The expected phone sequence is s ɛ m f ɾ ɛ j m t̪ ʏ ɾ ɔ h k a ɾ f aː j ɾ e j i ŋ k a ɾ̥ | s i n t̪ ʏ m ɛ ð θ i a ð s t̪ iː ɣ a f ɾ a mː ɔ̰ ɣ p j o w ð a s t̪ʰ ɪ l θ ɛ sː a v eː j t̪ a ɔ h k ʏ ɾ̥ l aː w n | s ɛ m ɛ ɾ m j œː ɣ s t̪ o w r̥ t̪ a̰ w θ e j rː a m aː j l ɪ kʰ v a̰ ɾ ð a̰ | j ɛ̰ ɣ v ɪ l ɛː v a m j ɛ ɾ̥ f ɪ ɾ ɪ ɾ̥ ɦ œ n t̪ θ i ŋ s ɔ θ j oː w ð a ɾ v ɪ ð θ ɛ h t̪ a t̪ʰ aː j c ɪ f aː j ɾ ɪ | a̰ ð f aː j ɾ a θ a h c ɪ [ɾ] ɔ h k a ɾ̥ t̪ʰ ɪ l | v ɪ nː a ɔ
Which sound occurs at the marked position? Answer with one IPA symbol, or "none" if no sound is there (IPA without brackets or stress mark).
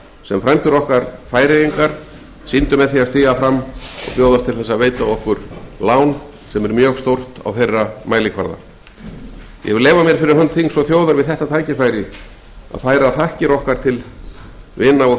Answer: ɾ